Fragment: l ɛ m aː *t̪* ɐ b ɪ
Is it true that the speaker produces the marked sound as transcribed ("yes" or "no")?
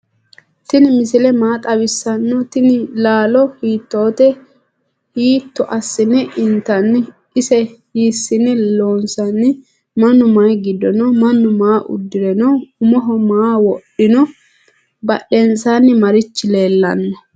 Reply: no